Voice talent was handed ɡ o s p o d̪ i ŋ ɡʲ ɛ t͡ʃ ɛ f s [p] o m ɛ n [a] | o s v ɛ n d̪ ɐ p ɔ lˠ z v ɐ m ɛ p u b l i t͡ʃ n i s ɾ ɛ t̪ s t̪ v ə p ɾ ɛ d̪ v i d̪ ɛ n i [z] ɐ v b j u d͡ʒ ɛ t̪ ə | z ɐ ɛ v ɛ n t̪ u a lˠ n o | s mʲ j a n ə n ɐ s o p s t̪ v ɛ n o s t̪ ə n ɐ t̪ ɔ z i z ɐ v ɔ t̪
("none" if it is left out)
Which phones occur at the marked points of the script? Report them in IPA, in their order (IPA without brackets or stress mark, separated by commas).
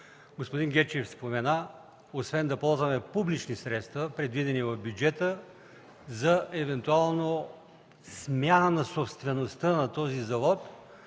p, a, v